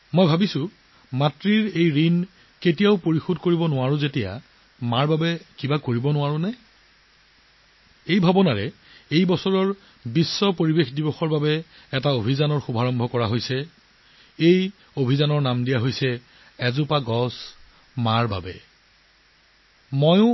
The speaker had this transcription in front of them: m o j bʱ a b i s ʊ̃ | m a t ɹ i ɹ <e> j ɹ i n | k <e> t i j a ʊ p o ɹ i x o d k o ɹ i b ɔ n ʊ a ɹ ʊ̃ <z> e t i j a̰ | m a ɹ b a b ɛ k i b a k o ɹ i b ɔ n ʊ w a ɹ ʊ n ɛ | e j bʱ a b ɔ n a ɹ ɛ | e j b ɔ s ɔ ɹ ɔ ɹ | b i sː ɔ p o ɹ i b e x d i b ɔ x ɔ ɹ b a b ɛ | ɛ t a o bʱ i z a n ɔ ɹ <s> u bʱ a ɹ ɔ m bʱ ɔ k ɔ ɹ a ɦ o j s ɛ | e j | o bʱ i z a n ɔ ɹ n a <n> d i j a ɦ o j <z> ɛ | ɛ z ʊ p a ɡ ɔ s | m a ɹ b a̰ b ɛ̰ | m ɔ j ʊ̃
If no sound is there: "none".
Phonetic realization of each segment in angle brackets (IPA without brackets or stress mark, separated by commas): e, e, z, x, m, s